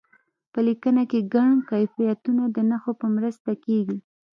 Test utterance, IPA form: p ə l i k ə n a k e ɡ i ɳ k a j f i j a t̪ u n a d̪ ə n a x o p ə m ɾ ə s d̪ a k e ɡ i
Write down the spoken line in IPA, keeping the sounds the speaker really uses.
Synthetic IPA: p ə l i k ə n a k e ɡ a ɳ k a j f i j a t̪ u n a d̪ ə n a x o p ə m ɾ ə s t̪ a k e ɡ i